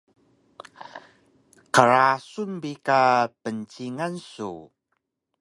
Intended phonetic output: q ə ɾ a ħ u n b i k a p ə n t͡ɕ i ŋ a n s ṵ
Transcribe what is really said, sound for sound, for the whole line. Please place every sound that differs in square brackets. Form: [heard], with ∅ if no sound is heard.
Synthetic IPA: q ə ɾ a [s] u n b i k a p ə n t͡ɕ i ŋ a n s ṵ

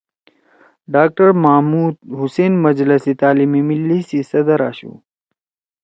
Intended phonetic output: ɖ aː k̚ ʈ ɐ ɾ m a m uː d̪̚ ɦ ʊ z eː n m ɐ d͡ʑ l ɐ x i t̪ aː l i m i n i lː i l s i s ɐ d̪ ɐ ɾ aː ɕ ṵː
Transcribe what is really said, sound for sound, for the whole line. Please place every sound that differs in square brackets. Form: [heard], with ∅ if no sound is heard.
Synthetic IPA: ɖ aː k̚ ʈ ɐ ɾ m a m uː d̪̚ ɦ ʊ [s] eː n m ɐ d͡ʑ l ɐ [s] i t̪ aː l i m i [m] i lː i [∅] s i s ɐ d̪ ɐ ɾ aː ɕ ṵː

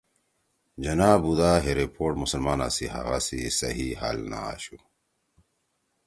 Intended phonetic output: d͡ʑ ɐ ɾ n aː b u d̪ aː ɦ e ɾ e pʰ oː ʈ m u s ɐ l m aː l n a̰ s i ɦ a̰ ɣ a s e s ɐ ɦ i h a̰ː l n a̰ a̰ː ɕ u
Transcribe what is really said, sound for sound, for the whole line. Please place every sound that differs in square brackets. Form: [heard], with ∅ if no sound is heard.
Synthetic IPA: d͡ʑ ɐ [∅] n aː b u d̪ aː ɦ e ɾ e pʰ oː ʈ m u s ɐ l m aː [∅] n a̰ s i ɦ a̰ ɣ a s [i] s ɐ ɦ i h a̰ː l n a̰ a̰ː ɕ u

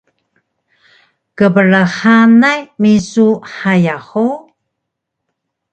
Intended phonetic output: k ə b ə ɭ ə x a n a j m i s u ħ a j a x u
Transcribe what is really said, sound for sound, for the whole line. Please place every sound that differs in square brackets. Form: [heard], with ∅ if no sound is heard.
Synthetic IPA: k ə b ə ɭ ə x a n a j m i s u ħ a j a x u

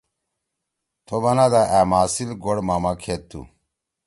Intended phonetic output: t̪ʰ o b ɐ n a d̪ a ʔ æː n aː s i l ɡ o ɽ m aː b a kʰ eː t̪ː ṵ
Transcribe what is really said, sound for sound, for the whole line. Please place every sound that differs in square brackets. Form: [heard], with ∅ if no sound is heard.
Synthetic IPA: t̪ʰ o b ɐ n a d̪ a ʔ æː [m] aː s i l ɡ o ɽ m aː [m] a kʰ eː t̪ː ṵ

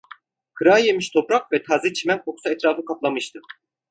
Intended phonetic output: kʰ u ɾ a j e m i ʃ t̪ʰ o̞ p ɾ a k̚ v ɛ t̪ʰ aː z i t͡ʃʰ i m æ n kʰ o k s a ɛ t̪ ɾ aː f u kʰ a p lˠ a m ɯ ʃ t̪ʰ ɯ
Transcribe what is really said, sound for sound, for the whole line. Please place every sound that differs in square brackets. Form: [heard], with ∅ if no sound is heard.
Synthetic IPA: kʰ [ɯ] ɾ a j e m i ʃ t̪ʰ o̞ p ɾ a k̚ v ɛ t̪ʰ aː z i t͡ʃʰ i m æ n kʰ o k s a ɛ t̪ ɾ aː f [ɯ] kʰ a p lˠ a m ɯ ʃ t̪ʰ ɯ

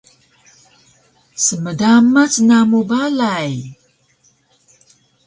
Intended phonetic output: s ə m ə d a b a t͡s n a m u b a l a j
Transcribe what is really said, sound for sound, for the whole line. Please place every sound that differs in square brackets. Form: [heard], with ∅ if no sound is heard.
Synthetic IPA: s ə m ə d a [m] a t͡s n a m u b a l a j

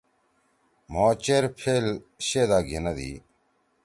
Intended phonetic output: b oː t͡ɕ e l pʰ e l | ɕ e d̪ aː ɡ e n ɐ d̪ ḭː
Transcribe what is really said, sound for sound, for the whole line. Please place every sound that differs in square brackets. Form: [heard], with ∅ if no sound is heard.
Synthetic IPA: [m] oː t͡ɕ e [ɾ] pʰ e l | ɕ e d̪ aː ɡ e n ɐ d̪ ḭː

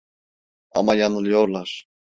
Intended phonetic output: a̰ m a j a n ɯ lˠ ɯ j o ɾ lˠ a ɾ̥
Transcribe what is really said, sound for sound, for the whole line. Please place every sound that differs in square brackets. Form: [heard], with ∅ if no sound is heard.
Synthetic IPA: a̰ m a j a n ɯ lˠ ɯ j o ɾ lˠ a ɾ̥

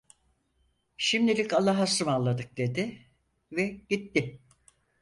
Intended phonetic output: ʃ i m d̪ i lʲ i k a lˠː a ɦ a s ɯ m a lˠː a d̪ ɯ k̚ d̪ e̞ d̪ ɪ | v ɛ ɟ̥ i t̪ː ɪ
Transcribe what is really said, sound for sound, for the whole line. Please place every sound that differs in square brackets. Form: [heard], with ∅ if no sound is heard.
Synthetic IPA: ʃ i m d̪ i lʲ i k a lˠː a ɦ a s ɯ m a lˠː a d̪ ɯ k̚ d̪ e̞ d̪ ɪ | v ɛ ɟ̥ i t̪ː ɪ

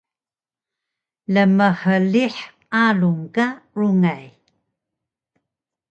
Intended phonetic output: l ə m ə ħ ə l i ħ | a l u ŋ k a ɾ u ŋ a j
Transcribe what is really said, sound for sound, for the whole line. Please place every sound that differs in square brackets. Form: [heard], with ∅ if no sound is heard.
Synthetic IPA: l ə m ə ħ ə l i ħ | a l u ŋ k a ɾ u ŋ a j

